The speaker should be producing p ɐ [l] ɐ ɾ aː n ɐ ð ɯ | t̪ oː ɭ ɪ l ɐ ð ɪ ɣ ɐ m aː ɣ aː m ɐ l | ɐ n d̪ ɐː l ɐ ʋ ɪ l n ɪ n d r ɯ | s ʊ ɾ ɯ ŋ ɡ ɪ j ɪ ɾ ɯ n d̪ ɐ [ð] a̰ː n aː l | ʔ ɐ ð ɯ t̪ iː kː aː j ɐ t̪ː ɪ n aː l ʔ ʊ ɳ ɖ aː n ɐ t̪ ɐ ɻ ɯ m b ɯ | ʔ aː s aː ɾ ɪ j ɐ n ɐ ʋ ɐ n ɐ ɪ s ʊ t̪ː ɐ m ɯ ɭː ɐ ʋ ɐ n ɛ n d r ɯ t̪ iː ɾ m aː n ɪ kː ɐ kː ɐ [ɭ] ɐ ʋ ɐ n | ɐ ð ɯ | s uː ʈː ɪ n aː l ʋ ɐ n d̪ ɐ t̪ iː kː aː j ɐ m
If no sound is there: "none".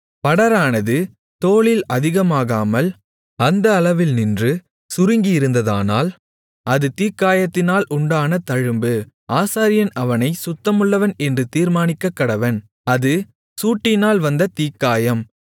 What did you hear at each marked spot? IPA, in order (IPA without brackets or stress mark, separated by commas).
ɽ, ð, ɽ